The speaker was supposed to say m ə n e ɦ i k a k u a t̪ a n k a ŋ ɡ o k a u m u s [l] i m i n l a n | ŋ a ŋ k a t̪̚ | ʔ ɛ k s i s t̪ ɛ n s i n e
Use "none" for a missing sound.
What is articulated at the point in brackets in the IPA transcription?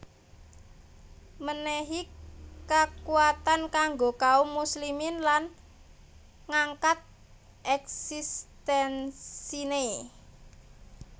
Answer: l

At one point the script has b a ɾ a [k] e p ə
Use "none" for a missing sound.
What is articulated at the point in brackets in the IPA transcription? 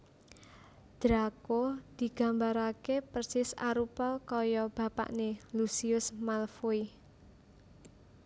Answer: k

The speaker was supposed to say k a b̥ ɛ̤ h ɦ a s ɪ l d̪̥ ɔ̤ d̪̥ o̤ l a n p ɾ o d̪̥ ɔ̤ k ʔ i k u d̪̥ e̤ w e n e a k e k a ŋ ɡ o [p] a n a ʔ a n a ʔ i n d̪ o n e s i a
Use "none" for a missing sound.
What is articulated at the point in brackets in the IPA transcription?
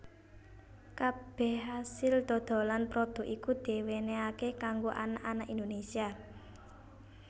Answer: ʔ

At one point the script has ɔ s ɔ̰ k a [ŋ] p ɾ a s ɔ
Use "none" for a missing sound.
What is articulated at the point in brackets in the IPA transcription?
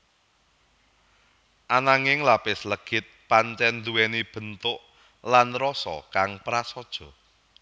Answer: ŋ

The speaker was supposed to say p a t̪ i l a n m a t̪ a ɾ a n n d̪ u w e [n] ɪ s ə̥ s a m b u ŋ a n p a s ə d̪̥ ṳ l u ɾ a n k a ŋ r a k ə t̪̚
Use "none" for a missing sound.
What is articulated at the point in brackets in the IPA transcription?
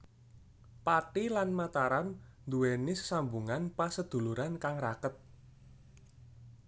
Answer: n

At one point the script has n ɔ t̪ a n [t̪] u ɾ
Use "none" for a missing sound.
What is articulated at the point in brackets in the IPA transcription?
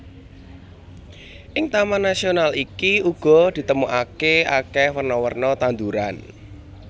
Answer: d̪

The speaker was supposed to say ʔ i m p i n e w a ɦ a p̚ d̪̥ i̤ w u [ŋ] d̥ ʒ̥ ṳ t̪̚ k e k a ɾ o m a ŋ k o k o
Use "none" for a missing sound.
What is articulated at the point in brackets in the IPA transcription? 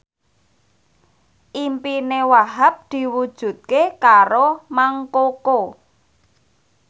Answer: none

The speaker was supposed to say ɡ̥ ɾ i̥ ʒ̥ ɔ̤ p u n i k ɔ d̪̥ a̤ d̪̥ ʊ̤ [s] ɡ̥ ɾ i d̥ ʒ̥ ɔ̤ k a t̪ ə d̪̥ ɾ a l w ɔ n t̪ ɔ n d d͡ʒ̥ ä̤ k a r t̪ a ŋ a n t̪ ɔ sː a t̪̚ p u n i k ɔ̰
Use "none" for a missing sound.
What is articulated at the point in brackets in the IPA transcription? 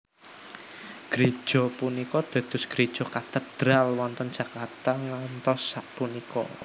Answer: s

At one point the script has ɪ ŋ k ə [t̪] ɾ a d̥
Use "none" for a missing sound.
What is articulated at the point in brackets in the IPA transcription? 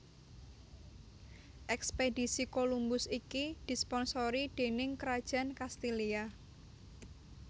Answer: none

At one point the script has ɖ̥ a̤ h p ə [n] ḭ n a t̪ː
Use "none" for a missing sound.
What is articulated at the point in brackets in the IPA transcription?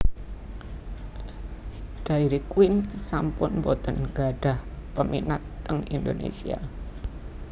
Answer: m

